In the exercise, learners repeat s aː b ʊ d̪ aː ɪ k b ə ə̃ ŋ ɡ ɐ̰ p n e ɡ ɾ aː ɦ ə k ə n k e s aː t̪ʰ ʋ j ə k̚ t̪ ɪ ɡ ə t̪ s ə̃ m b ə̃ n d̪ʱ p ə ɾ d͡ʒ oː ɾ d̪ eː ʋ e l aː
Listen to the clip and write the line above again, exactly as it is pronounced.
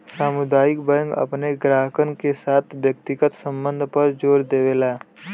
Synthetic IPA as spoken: s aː m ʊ d̪ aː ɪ k b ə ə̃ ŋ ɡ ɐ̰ p n e ɡ ɾ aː ɦ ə k ə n k e s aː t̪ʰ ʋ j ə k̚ t̪ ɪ ɡ ə t̪ s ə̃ m b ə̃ n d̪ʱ p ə ɾ d͡ʒ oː ɾ d̪ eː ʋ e l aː